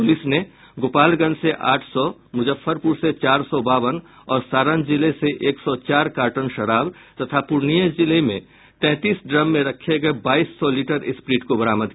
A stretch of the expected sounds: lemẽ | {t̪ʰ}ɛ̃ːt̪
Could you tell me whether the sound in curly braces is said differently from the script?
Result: yes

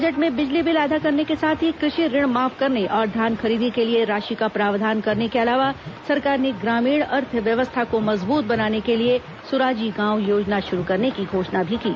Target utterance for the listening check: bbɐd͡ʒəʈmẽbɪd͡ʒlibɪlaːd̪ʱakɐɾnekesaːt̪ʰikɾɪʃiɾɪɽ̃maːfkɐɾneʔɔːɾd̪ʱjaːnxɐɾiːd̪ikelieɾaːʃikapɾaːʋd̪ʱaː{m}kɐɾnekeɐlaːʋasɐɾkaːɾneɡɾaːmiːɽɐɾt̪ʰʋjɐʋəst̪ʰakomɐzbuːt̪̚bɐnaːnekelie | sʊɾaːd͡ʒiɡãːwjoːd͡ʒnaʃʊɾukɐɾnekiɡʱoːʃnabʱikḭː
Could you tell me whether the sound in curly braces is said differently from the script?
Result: yes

